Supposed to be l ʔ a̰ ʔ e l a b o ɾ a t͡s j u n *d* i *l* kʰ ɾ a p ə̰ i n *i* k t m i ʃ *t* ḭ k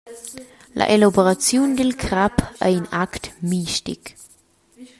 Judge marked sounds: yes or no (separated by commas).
yes, yes, no, yes